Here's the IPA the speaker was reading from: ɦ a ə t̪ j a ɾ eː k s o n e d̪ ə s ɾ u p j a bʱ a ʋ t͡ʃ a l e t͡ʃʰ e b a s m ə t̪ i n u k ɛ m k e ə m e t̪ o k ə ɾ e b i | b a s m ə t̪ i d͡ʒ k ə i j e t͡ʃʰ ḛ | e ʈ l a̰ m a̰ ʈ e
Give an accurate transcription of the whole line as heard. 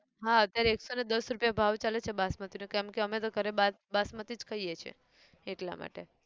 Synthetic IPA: ɦ a ə t̪ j a ɾ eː k s o n e d̪ ə s ɾ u p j a bʱ a ʋ t͡ʃ a l e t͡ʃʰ e b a s m ə t̪ i n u k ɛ m k e ə m e t̪ o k ə ɾ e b a | b a s m ə t̪ i d͡ʒ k ə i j e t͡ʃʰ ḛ | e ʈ l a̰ m a̰ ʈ e